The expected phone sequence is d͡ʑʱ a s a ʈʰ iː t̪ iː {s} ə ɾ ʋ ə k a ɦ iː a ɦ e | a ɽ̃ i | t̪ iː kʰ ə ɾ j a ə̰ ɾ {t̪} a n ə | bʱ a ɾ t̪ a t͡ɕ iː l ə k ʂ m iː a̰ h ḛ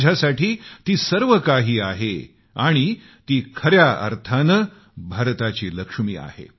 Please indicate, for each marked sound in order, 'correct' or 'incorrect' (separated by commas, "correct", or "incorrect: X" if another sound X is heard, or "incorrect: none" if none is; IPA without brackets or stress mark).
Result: correct, incorrect: t̪ʰ